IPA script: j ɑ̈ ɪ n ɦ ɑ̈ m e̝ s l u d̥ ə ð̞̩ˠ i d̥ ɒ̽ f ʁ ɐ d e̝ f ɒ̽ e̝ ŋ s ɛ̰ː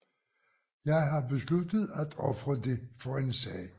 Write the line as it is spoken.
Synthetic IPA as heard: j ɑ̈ ɪ ɦ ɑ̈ b e̝ s l u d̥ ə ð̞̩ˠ æ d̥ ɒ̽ f ʁ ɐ d e̝ f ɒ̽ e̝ n s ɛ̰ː